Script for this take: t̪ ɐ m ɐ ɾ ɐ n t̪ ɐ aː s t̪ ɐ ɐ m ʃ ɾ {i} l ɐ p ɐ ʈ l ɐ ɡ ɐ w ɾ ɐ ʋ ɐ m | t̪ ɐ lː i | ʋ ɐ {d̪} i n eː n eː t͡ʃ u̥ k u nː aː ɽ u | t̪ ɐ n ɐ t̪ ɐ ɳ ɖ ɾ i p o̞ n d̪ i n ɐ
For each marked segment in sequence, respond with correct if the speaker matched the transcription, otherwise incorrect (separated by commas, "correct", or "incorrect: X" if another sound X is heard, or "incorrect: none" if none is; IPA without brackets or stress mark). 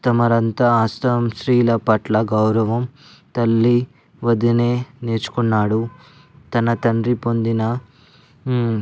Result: incorrect: iː, correct